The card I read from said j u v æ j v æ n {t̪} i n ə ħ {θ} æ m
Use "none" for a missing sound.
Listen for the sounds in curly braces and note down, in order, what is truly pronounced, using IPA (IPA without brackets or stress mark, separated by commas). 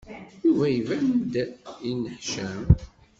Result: d̪, ʃ